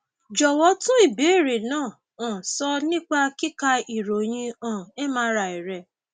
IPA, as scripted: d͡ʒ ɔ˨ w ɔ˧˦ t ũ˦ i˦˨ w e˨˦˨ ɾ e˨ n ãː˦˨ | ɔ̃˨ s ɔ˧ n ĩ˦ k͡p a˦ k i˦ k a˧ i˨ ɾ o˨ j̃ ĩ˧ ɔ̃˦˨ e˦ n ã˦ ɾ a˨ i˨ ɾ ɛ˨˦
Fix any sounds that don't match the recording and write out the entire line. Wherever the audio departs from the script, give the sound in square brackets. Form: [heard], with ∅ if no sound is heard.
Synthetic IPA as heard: d͡ʒ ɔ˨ w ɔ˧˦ t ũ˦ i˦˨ [b] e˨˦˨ ɾ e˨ n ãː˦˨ | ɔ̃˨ s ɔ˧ n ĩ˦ k͡p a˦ k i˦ k a˧ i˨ ɾ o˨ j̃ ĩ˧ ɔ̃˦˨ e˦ [m] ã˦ ɾ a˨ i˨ ɾ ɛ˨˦